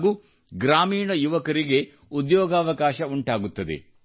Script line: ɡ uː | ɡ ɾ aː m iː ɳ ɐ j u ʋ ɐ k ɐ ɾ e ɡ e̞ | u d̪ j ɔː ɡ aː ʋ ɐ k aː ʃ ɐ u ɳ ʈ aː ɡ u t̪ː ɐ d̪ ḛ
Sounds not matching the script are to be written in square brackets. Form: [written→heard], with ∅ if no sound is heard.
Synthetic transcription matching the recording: ɡ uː | ɡ ɾ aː m iː ɳ ɐ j u ʋ ɐ k ɐ ɾ [e→i] ɡ e̞ | u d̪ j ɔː ɡ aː ʋ ɐ k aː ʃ ɐ u ɳ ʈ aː ɡ u t̪ː ɐ d̪ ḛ